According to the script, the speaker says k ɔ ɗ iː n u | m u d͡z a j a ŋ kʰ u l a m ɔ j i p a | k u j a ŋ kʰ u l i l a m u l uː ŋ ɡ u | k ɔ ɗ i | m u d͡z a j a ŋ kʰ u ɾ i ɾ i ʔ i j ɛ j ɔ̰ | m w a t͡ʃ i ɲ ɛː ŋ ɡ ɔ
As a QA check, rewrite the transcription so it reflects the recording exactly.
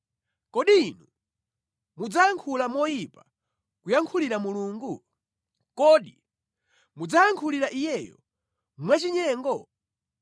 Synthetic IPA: k ɔ ɗ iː n u | m u d͡z a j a ŋ kʰ u l a m ɔ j i p a | k u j a ŋ kʰ u l i ɾ a m u l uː ŋ ɡ u | k ɔ ɗ i | m u d͡z a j a ŋ kʰ u l i ɾ a ʔ i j ɛ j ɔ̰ | m w a t͡ʃ i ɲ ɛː ŋ ɡ ɔ